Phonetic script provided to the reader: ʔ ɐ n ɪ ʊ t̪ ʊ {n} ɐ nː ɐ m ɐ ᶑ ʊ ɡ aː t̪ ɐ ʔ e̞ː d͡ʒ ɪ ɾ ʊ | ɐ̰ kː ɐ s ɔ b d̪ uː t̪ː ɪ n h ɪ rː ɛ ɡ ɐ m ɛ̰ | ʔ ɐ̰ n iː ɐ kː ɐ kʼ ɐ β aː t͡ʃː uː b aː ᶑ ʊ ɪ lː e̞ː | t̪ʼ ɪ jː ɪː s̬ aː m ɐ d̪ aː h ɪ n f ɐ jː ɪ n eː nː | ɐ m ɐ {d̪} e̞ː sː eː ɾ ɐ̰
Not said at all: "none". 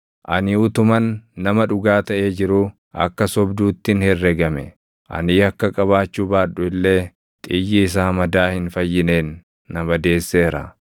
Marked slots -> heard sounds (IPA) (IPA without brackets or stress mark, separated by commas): m, d̪